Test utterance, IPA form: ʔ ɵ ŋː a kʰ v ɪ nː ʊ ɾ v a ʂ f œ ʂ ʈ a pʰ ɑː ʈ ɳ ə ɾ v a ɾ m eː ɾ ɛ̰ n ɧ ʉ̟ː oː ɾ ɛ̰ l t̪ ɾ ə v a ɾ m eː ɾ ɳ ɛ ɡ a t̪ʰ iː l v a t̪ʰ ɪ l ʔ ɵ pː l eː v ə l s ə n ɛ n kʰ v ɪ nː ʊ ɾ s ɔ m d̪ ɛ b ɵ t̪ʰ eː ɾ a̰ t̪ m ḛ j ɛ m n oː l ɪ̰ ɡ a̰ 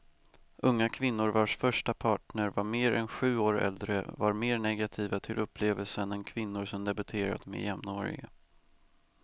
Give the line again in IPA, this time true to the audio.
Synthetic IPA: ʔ ɵ ŋː a kʰ v ɪ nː ʊ ɾ v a ʂ f œ ʂ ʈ a pʰ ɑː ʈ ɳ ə ɾ v a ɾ m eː ɾ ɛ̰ n ɧ ʉ̟ː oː ɾ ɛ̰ l d̪ ɾ ə v a ɾ m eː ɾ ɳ ɛ ɡ a t̪ʰ iː v a t̪ʰ ɪ l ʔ ɵ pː l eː v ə l s ə n ɛ n kʰ v ɪ nː ʊ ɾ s ɔ m d̪ ɛ b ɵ t̪ʰ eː ɾ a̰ t̪ m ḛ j ɛ m n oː ɾ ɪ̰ ɡ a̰